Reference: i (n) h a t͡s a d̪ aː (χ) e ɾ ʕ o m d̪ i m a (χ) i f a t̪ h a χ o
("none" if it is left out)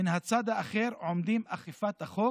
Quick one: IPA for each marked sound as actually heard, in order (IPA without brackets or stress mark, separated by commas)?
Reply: n, χ, χ